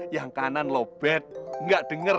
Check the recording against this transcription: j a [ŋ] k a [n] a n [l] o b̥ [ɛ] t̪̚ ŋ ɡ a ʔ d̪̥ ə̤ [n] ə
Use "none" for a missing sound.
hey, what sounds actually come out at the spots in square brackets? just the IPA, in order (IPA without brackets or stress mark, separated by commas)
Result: ŋ, n, l, ɛ, ŋ